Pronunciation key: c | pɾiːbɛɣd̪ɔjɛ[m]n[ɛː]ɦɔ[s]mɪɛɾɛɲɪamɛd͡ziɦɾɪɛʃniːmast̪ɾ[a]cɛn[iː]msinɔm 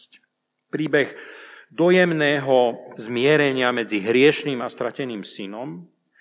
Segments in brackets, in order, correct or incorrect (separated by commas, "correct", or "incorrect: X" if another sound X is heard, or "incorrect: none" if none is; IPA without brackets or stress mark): correct, correct, incorrect: z, correct, correct